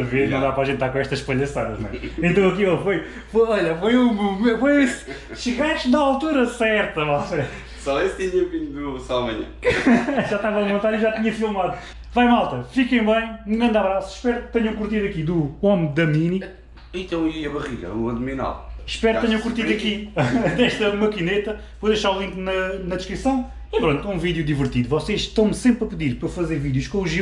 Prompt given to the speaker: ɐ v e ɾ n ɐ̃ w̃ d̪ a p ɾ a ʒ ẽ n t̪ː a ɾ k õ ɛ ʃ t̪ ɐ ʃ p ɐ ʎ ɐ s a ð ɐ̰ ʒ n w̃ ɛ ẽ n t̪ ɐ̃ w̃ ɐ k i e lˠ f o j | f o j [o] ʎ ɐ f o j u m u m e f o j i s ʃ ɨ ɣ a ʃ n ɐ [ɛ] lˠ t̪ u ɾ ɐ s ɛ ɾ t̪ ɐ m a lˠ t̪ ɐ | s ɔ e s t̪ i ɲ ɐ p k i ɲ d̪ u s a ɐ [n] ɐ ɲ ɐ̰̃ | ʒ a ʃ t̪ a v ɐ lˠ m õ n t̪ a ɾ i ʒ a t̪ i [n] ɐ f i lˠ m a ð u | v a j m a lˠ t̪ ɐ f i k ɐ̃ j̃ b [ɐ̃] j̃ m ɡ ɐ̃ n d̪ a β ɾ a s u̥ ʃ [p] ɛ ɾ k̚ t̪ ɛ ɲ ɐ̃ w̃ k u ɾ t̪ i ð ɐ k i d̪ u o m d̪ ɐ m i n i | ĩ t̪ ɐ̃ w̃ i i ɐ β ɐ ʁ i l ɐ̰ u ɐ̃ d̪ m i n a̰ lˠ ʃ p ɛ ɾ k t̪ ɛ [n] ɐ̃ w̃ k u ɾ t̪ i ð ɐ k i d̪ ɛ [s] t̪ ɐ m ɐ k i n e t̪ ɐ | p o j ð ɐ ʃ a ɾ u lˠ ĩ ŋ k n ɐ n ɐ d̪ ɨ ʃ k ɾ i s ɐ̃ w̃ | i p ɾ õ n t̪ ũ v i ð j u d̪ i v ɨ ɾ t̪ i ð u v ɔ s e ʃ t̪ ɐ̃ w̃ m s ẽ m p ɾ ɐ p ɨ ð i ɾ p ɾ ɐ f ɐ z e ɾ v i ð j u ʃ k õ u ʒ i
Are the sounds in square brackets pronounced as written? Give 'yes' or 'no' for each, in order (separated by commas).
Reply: no, no, no, no, yes, yes, no, no